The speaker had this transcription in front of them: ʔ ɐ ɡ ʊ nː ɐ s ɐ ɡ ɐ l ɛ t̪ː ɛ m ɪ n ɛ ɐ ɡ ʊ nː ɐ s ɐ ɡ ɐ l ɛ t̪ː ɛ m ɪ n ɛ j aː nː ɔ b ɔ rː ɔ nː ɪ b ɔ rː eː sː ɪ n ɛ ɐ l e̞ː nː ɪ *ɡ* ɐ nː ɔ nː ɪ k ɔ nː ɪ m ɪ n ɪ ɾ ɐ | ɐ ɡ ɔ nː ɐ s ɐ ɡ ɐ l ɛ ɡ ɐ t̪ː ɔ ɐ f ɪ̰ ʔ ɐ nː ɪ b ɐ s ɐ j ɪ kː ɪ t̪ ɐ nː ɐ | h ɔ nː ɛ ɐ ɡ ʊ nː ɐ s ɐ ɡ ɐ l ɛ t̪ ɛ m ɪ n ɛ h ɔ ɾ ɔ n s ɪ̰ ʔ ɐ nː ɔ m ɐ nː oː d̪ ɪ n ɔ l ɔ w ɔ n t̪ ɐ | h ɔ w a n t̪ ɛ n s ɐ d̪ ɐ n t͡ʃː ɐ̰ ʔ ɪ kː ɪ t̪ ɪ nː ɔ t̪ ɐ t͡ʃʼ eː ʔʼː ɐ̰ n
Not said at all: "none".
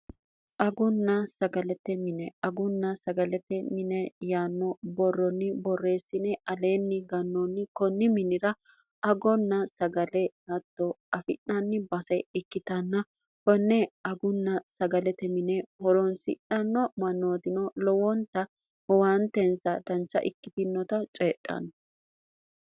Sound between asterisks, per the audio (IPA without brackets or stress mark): ɡ